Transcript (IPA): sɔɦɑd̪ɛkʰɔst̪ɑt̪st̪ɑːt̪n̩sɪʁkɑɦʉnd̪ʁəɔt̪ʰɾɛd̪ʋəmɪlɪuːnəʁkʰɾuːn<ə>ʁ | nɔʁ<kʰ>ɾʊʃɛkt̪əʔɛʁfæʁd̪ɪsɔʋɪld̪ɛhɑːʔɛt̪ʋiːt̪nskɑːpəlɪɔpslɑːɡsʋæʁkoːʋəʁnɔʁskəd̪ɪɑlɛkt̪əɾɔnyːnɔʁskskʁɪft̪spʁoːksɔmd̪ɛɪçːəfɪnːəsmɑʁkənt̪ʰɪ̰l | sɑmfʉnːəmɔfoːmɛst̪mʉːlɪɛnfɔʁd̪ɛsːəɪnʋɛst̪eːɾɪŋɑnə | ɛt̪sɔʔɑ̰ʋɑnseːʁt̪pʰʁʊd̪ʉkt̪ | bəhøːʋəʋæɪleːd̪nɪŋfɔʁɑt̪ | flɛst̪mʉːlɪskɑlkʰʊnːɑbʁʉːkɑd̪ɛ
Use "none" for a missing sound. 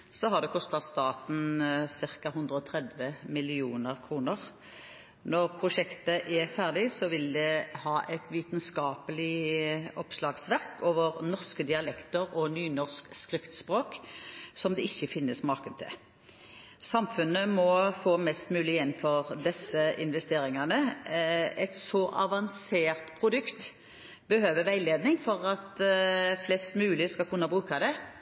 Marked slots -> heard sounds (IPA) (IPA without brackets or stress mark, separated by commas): ə, pʰ